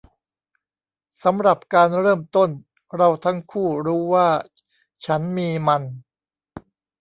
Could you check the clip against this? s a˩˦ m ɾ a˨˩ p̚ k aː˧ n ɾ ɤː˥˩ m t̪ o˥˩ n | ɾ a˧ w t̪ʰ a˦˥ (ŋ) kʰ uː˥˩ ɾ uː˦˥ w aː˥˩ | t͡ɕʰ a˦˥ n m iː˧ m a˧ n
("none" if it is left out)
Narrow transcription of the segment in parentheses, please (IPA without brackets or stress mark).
ŋ